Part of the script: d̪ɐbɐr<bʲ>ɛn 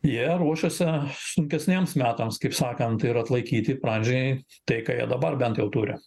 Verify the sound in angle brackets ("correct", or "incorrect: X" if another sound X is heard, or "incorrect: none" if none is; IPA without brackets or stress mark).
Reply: correct